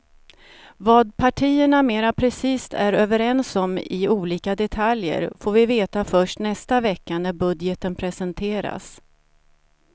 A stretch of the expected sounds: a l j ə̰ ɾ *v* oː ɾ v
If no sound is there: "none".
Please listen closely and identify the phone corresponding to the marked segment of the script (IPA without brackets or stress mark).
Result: f